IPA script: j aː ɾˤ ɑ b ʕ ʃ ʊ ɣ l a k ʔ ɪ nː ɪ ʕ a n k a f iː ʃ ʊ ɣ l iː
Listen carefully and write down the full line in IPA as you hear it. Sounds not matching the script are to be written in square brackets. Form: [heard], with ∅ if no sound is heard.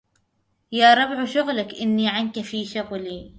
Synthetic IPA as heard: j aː ɾˤ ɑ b ʕ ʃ ʊ ɣ l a k ʔ ɪ nː [i] ʕ a n k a f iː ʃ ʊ ɣ l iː